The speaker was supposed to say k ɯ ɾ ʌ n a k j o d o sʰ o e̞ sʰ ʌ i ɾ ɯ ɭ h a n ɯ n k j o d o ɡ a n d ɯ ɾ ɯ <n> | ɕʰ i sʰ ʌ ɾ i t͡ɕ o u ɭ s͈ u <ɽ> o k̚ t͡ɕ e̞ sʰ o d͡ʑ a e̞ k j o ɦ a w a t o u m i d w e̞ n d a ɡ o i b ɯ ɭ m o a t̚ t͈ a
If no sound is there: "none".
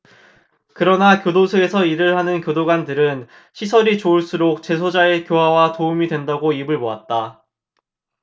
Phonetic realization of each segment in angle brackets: n, ɾ

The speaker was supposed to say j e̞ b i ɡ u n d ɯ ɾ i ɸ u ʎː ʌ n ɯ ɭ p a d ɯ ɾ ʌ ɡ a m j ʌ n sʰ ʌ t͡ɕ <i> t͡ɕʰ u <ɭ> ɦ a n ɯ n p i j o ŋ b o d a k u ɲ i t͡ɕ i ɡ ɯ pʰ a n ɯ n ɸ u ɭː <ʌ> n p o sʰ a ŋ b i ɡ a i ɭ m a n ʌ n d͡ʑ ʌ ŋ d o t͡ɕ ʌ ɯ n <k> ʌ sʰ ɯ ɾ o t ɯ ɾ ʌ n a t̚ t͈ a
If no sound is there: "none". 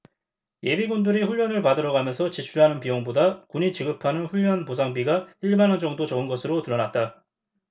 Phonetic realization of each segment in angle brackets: i, ɭ, ʌ, ɡ

